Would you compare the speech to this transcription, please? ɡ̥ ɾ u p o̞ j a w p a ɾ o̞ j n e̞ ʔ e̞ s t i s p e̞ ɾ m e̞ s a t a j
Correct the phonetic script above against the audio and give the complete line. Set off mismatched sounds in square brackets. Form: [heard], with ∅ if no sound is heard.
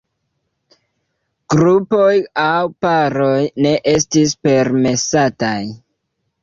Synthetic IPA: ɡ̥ ɾ u p o̞ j a w p a ɾ o̞ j n e̞ ʔ e̞ s t i s p e̞ ɾ m e̞ s a t a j